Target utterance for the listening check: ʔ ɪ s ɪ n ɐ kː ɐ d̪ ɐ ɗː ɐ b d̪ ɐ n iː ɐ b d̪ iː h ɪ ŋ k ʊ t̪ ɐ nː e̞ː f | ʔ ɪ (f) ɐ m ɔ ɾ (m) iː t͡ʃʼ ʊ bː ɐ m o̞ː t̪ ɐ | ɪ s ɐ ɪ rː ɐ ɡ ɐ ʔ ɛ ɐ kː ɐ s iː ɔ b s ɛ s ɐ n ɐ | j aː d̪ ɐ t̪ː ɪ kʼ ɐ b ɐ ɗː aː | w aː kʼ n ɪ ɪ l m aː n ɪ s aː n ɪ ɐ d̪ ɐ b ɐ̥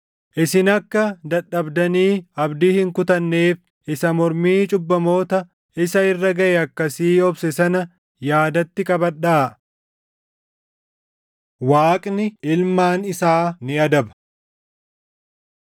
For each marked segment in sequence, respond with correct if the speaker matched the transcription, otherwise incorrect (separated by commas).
incorrect, correct